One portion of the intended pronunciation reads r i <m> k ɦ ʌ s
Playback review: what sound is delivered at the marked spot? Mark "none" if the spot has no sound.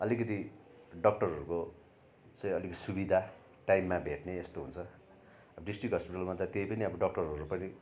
none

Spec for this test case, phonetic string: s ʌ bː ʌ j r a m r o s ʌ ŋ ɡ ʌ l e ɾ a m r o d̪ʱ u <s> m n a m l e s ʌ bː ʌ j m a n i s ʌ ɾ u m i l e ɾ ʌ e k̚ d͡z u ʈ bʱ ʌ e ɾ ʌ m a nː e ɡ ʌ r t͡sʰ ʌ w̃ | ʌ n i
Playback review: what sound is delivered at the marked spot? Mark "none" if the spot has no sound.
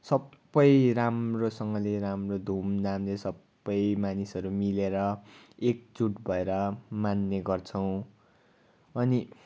none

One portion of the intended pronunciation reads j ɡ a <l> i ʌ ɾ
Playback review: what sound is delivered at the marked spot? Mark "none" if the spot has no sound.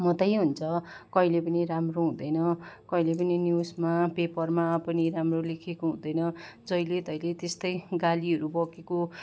l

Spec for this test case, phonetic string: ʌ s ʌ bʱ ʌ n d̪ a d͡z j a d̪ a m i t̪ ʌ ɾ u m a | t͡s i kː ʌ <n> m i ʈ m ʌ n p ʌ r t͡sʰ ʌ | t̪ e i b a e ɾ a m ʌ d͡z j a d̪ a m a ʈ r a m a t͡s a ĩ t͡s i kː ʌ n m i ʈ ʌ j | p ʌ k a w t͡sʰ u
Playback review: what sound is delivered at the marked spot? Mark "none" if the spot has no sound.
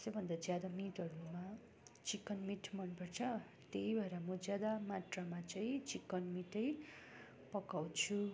n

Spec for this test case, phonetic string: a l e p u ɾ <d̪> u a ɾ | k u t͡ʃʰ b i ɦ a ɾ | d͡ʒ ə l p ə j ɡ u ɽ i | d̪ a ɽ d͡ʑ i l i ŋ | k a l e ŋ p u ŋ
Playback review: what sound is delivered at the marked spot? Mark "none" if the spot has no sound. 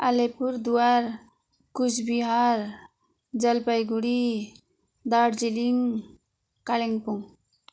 d̪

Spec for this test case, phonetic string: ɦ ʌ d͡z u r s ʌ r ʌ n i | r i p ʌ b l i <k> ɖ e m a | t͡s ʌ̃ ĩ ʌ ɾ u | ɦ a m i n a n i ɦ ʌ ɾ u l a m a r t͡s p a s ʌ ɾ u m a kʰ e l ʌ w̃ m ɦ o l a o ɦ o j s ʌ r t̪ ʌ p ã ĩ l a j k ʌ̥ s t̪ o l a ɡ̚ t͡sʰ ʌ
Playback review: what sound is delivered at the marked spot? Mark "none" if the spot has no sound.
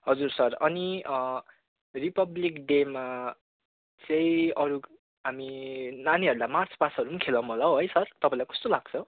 k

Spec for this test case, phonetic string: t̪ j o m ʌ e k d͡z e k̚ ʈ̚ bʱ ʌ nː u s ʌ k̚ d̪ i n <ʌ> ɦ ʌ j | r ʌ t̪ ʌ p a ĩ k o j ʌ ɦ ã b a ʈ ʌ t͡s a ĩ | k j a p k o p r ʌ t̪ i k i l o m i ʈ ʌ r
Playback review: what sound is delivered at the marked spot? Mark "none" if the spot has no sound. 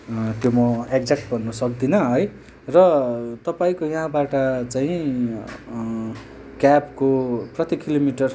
ʌ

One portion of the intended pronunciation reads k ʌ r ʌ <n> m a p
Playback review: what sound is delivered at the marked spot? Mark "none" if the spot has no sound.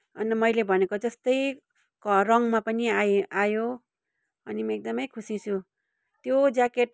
ŋ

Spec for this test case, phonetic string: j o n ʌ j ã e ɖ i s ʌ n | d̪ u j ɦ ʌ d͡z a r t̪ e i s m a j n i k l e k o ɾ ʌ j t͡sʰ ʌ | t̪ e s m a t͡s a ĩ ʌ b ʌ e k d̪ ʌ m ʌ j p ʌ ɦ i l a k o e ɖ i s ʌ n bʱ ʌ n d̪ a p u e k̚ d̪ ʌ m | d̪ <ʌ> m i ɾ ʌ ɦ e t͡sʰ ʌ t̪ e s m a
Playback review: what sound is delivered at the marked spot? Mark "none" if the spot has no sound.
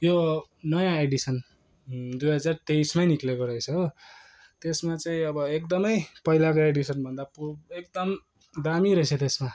a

